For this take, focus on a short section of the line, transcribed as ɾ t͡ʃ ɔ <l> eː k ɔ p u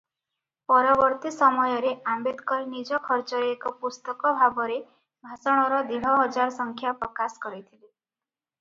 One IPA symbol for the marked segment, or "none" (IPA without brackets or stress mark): ɾ